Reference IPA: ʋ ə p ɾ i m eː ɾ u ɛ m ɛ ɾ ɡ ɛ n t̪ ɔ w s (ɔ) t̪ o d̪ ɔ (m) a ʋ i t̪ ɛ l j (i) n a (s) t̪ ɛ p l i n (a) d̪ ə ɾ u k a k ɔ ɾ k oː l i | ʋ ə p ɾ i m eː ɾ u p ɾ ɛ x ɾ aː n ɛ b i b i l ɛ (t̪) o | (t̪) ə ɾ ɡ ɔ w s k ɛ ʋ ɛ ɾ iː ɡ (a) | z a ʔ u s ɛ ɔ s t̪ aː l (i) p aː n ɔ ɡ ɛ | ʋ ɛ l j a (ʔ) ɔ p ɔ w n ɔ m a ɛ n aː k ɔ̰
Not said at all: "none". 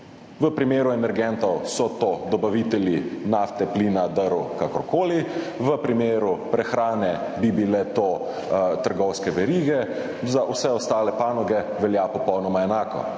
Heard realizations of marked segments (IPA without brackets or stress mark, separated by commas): ɔ, b, i, f, a, t̪, t̪, ɛ, ɛ, p